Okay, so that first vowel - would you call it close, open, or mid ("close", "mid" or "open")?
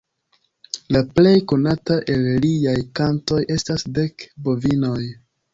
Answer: open